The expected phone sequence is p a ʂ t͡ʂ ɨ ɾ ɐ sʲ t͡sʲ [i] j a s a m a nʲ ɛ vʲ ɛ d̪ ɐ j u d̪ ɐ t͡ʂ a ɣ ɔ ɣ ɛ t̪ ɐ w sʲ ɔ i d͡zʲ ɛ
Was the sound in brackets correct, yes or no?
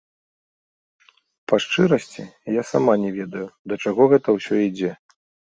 yes